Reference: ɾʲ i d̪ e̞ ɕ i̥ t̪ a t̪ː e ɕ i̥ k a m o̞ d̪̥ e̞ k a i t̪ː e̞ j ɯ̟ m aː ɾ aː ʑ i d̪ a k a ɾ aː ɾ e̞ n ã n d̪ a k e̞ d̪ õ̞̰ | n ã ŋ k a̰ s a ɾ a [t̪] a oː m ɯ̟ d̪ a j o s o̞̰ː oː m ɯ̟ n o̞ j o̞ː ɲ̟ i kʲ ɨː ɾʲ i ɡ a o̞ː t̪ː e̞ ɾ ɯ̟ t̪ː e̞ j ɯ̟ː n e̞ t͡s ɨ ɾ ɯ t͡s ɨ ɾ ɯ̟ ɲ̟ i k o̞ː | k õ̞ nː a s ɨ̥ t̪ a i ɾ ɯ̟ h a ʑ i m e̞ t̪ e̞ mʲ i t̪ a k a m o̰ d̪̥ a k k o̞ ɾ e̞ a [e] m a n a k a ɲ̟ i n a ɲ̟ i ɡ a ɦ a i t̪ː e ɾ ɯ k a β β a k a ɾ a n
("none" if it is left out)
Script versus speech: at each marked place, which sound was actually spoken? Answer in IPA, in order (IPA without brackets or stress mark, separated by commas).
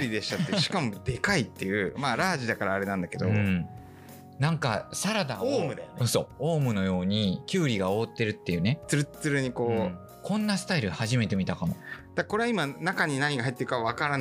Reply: d̪, i